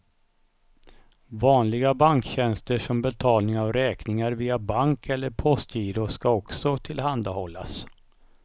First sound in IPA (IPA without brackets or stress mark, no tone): v